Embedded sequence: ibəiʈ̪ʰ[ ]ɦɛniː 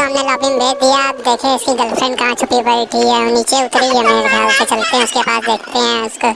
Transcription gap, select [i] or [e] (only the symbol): i